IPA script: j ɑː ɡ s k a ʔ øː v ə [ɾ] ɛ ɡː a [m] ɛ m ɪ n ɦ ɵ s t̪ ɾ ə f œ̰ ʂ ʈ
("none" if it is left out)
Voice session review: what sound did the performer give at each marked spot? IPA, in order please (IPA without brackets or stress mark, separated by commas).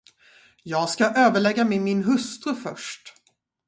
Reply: ɭ, m